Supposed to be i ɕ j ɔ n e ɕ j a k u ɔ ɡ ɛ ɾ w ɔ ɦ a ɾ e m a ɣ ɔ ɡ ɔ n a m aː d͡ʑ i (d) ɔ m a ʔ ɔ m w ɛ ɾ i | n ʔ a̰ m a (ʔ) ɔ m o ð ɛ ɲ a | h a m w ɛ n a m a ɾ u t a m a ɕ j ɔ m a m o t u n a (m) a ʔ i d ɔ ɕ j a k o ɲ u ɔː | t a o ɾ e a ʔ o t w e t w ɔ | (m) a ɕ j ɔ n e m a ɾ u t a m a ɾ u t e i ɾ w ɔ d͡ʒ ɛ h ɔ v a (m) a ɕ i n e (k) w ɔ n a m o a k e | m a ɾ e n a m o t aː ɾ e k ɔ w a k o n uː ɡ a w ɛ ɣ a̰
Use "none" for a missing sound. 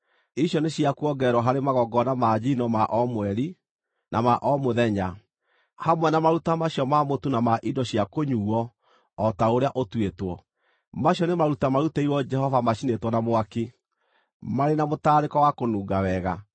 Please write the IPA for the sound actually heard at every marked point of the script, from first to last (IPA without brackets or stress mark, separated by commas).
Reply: n, ʔ, m, m, m, t